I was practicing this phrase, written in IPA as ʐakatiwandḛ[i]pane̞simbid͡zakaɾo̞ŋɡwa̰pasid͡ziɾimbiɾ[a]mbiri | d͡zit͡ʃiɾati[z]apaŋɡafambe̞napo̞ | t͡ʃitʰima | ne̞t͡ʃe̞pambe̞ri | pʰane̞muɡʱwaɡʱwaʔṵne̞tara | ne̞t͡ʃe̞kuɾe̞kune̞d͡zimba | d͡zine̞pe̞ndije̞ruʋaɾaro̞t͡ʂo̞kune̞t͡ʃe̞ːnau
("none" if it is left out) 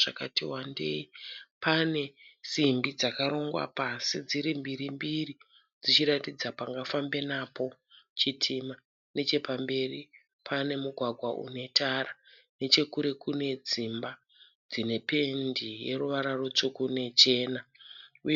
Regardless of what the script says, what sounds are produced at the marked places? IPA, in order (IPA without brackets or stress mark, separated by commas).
i, i, d͡z